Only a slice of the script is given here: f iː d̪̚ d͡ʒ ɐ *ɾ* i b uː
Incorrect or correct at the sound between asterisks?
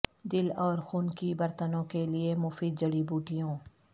incorrect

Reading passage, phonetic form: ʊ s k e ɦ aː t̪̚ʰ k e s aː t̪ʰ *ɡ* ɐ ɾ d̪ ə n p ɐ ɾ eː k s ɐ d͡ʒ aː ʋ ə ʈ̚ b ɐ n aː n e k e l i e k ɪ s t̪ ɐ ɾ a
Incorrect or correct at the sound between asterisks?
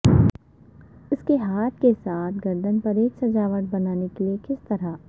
correct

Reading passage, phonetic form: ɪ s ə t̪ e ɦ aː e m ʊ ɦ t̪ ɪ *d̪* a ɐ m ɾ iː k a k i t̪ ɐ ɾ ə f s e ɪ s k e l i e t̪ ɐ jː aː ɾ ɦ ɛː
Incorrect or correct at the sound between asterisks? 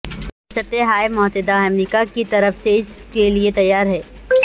correct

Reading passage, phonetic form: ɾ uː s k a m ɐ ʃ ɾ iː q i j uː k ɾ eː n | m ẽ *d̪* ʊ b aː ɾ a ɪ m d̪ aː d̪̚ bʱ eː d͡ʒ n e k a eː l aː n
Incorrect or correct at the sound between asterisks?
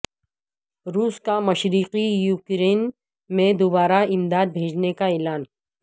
correct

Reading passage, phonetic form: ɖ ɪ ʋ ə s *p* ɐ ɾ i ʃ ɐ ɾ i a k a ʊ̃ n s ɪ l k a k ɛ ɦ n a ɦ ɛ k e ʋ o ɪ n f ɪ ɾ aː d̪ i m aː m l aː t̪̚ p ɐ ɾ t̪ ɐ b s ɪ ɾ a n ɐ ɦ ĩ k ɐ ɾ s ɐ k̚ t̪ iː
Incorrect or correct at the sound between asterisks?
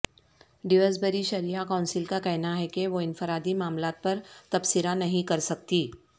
incorrect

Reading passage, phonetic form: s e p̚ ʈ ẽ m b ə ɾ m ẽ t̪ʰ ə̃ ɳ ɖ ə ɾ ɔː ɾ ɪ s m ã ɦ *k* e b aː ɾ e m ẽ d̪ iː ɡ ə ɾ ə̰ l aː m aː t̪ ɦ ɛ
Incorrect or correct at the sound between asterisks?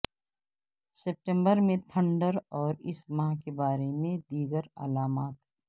correct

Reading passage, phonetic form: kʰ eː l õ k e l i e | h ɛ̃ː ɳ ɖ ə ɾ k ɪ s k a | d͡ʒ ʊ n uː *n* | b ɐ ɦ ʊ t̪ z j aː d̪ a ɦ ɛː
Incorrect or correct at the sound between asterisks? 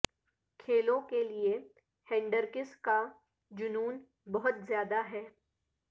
correct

